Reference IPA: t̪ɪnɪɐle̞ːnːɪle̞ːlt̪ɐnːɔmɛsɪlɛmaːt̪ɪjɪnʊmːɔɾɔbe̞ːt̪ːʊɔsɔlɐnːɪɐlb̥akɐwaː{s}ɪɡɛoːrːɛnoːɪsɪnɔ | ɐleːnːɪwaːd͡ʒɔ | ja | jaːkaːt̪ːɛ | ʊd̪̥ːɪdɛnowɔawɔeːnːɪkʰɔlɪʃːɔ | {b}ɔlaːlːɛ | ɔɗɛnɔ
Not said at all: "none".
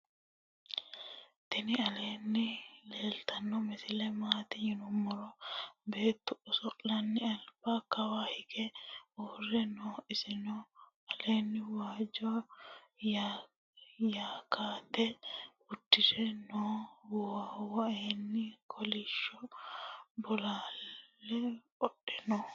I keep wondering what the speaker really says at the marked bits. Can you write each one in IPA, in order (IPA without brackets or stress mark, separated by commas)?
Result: h, b